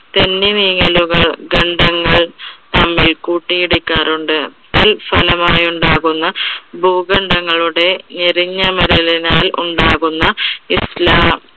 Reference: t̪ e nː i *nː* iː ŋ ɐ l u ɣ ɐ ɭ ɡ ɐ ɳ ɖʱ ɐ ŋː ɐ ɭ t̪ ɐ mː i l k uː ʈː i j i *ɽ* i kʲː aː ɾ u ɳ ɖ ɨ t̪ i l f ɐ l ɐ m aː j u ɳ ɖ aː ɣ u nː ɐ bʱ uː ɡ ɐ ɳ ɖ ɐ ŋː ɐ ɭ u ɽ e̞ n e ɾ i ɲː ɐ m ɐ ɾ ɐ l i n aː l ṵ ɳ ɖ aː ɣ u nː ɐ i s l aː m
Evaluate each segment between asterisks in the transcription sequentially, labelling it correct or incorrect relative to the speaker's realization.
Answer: incorrect, correct

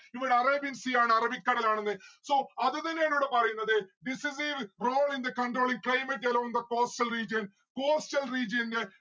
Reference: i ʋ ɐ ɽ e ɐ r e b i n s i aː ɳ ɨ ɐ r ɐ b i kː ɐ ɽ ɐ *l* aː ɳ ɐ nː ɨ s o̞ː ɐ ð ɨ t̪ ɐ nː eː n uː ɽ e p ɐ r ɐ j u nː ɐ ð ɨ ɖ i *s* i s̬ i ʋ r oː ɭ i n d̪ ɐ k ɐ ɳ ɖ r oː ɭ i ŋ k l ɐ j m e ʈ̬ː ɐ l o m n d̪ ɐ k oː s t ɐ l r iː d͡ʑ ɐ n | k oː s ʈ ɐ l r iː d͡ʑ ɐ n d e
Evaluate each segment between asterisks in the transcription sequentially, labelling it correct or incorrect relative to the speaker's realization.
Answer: correct, correct

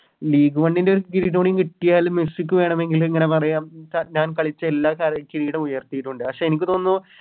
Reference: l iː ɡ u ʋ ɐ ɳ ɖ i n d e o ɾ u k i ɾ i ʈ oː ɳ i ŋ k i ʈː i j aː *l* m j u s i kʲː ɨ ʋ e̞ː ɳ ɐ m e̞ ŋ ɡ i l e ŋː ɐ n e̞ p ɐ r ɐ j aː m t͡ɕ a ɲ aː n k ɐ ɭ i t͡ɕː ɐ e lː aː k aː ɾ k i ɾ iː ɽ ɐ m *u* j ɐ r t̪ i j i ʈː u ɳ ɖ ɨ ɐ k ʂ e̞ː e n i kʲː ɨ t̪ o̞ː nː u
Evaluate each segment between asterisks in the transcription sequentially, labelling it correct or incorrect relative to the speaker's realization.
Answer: correct, correct

